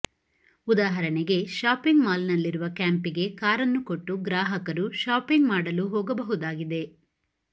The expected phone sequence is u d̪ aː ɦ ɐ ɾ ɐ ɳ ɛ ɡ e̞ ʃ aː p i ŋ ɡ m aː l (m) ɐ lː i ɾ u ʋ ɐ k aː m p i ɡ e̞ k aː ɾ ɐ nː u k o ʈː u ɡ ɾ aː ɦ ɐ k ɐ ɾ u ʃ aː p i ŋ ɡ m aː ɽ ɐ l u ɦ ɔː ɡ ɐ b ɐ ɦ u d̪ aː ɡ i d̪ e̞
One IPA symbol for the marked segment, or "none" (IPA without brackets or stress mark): n